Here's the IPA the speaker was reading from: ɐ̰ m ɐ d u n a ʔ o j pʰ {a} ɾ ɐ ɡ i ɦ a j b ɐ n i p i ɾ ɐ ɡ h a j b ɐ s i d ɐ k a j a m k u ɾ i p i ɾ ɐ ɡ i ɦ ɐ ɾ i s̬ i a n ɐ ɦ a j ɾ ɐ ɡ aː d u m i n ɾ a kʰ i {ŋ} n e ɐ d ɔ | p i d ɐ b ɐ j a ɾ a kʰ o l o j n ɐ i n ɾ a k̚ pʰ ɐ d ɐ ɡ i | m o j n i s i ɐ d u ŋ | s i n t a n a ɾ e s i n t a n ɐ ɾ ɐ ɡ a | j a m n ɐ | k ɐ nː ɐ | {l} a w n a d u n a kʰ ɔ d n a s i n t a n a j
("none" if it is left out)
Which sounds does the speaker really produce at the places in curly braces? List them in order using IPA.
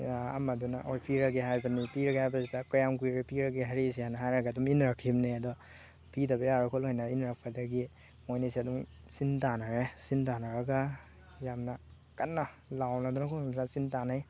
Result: i, m, l

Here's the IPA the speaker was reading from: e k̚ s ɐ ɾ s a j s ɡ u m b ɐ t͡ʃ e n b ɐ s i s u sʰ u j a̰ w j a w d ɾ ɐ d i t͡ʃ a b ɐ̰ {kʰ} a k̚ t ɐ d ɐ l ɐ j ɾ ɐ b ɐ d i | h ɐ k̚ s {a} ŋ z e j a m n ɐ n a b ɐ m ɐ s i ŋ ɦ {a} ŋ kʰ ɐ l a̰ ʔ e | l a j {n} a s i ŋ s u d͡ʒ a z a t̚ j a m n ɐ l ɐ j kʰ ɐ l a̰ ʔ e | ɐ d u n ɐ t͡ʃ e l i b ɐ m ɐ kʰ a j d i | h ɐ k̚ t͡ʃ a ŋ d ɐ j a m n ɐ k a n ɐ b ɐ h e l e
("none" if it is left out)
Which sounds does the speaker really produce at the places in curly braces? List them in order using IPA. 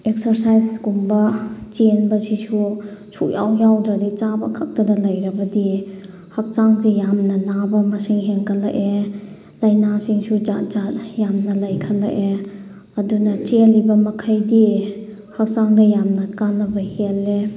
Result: kʰ, a, e, n

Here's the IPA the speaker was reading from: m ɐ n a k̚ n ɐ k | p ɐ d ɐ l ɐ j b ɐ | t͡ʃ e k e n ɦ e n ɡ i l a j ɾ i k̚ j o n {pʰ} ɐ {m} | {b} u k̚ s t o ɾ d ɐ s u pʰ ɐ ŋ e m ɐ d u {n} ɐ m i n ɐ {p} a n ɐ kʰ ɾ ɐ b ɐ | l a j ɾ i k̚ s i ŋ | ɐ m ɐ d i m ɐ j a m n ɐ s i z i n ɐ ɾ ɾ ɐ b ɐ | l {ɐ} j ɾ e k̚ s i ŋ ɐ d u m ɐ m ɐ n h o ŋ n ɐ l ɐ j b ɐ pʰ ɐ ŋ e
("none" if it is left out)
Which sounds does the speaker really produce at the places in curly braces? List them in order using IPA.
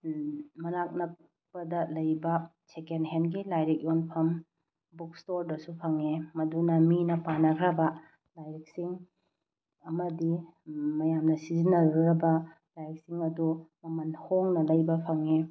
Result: pʰ, m, b, n, p, a

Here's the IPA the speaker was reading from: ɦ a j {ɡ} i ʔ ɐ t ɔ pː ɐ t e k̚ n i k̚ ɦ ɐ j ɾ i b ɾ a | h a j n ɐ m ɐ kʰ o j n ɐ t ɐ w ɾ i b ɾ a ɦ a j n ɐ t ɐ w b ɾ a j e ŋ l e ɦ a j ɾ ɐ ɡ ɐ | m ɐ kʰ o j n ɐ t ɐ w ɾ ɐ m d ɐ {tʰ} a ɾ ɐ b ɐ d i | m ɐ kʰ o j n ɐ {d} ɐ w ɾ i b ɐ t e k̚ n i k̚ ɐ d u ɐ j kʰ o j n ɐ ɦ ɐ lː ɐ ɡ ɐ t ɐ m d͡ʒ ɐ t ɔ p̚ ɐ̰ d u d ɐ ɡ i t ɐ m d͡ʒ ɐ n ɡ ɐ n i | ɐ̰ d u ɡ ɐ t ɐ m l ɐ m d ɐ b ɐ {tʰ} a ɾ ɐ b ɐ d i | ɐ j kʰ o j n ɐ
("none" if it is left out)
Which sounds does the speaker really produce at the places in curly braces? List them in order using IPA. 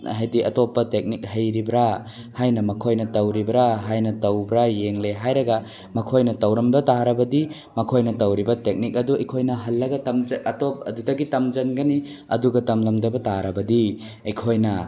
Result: d, t, t, t

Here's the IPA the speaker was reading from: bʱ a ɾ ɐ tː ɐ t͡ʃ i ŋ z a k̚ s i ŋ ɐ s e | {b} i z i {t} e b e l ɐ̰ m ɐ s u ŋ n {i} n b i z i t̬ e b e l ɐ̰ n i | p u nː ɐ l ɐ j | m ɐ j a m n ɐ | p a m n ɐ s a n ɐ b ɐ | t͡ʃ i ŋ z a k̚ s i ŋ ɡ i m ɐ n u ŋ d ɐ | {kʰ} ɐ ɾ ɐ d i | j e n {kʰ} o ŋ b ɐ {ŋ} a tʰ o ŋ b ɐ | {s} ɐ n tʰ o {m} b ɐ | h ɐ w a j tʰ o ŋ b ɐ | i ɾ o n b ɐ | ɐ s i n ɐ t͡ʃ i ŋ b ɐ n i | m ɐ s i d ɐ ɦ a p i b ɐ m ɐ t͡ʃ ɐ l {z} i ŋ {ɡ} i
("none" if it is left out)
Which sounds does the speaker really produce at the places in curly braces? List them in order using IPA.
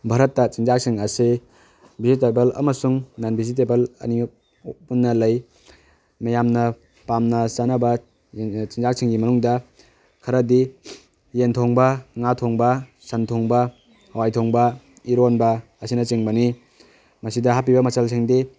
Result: b, t, a, kʰ, tʰ, ŋ, s, ŋ, s, d

